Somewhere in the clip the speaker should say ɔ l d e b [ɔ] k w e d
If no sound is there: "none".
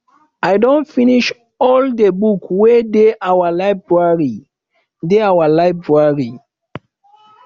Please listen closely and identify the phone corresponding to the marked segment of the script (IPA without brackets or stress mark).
u